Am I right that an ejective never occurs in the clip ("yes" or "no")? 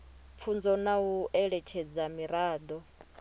yes